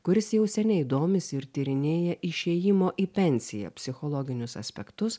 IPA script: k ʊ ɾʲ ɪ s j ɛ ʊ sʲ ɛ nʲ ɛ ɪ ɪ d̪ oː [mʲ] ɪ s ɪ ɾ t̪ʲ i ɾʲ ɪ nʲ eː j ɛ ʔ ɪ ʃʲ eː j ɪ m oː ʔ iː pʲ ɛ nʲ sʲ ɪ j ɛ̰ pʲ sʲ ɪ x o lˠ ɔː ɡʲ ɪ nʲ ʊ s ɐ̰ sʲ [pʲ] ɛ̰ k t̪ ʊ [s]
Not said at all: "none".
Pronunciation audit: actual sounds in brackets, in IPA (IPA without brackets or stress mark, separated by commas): mʲ, pʲ, s